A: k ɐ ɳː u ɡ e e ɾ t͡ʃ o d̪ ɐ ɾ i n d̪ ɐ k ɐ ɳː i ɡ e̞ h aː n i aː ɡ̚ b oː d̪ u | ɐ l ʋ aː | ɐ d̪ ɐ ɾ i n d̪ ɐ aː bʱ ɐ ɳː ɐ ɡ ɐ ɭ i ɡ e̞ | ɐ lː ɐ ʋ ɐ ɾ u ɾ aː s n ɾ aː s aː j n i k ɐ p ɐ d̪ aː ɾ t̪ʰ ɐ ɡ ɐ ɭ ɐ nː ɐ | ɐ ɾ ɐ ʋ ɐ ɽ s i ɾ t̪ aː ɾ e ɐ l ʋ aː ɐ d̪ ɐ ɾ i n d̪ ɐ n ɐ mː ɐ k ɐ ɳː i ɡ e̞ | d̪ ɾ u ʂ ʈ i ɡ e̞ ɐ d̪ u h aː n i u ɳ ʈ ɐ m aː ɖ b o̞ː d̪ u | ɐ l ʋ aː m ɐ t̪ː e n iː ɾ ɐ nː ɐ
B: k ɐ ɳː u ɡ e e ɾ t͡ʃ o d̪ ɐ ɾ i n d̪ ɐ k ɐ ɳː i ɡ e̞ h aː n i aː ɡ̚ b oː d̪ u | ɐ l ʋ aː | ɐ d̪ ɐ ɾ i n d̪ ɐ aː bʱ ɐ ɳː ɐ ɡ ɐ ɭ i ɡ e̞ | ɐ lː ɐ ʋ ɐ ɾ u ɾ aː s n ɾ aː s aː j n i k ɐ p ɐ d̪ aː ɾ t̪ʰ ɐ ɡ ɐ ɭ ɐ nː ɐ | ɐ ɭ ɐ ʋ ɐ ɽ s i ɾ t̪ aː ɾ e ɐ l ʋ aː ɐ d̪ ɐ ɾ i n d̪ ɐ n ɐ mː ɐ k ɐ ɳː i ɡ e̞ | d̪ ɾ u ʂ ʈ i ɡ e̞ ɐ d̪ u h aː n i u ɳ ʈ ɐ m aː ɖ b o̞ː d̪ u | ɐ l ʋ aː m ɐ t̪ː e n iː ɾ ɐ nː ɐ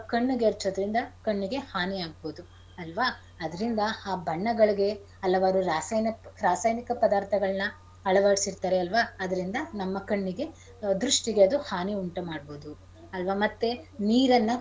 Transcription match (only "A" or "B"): B